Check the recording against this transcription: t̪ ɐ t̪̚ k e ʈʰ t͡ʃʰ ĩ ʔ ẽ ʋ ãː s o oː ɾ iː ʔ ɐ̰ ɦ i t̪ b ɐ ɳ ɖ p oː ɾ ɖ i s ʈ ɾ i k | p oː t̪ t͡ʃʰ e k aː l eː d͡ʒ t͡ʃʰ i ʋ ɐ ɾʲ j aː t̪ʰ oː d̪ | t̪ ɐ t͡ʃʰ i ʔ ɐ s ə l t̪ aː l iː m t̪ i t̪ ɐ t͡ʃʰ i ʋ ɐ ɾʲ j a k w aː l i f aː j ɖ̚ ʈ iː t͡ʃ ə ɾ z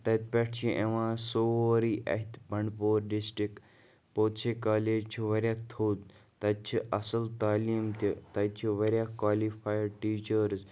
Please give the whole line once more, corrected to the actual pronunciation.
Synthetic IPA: t̪ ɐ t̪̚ p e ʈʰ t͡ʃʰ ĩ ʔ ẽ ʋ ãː s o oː ɾ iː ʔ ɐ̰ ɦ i t̪ b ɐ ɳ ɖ p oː ɾ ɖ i s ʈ ɾ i k | p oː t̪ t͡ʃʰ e k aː l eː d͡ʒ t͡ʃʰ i ʋ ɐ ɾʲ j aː t̪ʰ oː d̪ | t̪ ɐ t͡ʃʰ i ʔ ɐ s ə l t̪ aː l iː m t̪ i t̪ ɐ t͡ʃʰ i ʋ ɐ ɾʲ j a k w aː l i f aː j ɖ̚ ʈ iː t͡ʃ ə ɾ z